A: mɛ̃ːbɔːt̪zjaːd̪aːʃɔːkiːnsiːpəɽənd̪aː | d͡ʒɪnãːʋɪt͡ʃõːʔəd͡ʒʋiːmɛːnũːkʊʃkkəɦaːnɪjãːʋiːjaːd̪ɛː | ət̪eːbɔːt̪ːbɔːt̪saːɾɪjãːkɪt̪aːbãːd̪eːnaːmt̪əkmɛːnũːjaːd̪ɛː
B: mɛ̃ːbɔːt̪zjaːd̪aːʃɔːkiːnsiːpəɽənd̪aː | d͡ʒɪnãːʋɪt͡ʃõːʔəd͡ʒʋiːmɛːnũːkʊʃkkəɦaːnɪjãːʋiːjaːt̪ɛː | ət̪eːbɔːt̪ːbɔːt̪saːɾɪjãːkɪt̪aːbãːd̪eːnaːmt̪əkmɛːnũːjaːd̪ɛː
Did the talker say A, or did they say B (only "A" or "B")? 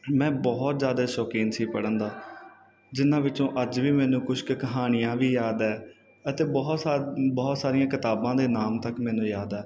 A